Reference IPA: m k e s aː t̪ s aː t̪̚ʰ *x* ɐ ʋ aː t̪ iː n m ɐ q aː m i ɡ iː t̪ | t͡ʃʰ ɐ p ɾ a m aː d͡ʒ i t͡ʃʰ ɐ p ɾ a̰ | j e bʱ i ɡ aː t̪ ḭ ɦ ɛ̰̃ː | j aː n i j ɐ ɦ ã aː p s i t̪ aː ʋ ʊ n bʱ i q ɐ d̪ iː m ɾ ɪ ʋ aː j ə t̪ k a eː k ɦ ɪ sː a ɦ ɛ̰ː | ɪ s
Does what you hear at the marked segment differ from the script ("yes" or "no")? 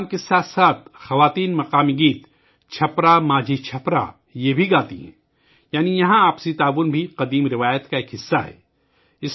no